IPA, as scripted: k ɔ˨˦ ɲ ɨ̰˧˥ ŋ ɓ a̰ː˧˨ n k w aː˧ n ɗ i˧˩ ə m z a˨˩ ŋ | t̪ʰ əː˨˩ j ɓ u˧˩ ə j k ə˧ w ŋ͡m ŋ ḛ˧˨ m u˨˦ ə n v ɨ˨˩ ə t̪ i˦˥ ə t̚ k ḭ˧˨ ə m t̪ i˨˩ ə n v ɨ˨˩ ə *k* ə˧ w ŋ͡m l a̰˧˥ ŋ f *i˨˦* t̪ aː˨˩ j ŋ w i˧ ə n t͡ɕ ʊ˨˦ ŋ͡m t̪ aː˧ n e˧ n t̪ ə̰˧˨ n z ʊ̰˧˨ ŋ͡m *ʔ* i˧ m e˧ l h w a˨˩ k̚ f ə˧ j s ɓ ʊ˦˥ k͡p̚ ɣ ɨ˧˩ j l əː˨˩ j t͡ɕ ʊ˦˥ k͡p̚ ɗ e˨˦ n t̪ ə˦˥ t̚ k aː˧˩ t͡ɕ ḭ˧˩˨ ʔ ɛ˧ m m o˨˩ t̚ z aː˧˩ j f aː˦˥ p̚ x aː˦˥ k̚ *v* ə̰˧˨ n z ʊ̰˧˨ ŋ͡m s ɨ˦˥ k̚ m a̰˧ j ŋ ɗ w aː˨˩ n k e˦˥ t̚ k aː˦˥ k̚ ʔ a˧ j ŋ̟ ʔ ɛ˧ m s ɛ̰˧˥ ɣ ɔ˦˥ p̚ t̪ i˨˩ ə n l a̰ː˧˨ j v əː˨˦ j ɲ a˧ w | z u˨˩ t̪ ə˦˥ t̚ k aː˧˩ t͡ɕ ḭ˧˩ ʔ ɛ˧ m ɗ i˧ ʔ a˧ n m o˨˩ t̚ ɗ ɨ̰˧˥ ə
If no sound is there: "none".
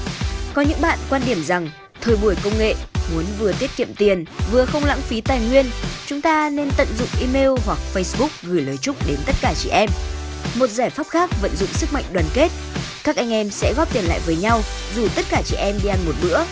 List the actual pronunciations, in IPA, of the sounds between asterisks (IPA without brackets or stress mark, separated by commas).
x, i˨˦, ʔ, v